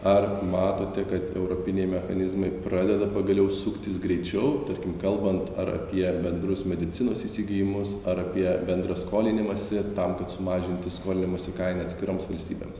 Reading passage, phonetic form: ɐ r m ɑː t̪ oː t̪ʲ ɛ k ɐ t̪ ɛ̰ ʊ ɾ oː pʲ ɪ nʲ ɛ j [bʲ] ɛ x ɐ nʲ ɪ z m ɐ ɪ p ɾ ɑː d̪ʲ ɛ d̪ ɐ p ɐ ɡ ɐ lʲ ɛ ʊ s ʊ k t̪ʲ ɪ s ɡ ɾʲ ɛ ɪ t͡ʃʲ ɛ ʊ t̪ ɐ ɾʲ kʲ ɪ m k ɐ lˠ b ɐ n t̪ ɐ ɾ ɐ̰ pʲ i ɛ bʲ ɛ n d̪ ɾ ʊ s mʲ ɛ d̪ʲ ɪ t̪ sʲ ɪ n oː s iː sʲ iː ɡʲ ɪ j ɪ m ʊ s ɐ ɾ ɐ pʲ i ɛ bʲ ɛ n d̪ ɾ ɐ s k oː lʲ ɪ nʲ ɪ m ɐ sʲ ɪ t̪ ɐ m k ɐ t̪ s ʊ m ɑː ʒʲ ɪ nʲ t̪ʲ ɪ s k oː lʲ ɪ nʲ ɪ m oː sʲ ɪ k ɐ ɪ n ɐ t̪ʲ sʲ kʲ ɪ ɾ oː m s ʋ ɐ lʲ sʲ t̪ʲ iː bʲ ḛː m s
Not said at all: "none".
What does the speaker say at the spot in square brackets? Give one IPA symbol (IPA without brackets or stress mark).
mʲ